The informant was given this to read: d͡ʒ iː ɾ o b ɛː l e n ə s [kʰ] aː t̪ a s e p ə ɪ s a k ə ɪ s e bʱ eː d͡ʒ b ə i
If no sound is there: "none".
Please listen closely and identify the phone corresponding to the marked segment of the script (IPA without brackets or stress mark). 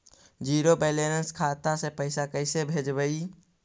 kʰ